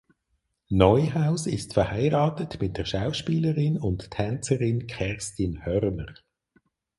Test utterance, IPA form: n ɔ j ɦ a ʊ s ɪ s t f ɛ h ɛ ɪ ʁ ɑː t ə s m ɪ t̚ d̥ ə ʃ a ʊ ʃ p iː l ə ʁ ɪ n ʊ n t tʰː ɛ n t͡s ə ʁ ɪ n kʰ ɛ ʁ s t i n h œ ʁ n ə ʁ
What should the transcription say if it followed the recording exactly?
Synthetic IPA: n ɔ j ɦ a ʊ s ɪ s t f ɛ h a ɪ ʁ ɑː t ə t m ɪ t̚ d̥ ə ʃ a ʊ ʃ p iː l ə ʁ ɪ n ʊ n t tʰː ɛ n t͡s ə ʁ ɪ n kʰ ɛ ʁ s t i n h œ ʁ n ə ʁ